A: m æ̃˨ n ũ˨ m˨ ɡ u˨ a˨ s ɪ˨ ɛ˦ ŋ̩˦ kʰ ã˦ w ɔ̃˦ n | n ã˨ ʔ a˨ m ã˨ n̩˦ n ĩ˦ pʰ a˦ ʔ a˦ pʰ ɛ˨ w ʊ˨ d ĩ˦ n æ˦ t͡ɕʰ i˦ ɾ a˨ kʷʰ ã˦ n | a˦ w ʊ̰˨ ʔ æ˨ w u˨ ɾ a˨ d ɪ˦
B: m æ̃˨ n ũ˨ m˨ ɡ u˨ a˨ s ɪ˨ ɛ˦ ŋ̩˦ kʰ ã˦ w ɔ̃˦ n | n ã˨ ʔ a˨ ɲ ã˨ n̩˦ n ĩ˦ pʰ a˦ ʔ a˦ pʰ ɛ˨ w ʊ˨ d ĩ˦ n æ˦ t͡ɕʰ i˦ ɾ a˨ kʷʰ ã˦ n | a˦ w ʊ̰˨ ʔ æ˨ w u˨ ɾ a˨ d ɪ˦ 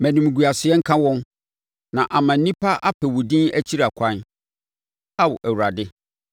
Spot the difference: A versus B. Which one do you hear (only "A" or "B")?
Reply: A